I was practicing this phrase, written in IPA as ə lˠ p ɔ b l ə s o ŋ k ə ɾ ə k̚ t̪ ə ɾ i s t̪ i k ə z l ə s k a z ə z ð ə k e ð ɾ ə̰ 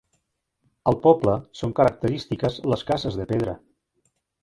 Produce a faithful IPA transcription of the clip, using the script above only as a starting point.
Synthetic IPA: ə lˠ p ɔ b l ə s o ŋ k ə ɾ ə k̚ t̪ ə ɾ i s t̪ i k ə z l ə s k a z ə z ð ə p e ð ɾ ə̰